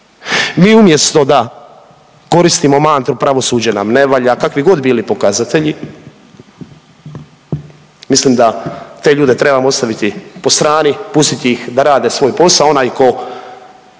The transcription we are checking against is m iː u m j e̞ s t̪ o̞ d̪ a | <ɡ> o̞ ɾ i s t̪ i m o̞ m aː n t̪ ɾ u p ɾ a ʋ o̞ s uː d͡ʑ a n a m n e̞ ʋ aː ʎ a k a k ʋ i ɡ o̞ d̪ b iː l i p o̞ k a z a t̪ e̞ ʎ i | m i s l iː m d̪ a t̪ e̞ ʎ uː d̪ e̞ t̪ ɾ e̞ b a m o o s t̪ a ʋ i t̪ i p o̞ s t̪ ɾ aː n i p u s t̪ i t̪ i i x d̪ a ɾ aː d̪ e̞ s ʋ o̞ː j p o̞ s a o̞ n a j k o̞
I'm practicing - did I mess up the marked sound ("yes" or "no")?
yes